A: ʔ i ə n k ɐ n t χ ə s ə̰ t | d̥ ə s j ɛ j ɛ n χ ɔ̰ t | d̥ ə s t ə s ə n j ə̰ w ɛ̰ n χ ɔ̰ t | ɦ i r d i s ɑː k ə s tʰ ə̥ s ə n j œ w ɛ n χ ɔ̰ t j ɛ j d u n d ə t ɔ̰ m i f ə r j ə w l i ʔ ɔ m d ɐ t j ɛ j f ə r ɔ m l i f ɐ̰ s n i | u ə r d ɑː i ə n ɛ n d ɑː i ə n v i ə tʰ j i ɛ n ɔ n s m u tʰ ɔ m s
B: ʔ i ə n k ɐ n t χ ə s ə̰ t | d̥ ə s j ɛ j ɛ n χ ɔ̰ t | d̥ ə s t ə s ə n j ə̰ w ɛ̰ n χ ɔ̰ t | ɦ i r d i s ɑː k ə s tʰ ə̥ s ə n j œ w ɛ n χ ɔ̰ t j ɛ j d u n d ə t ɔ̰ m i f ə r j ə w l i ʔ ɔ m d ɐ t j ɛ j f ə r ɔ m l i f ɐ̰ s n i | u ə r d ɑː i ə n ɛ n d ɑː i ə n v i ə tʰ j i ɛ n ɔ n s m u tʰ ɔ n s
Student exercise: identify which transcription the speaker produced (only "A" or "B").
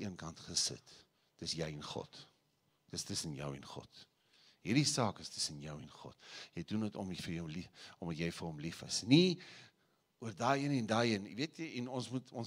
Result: B